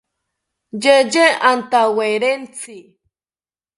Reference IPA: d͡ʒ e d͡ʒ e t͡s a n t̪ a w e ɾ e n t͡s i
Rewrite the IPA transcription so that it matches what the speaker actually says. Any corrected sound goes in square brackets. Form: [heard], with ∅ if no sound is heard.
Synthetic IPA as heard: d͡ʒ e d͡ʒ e [∅] a n t̪ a w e ɾ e n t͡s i